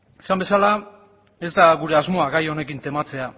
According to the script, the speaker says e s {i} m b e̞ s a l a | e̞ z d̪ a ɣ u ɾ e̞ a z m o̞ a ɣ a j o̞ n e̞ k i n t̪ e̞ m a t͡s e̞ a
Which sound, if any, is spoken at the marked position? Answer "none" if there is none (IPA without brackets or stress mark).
a